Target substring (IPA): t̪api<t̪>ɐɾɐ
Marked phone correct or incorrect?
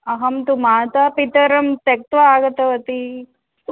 correct